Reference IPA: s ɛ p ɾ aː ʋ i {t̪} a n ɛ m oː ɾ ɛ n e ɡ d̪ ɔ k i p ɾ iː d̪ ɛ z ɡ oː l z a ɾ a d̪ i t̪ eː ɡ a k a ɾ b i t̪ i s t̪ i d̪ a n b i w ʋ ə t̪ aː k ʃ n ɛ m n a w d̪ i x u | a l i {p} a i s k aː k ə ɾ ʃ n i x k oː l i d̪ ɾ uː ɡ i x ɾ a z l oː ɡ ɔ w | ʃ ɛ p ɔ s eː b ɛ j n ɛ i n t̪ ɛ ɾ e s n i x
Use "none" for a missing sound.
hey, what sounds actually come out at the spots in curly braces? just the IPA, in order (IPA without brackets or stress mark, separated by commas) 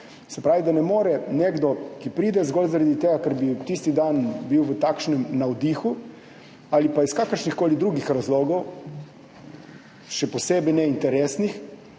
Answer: d̪, p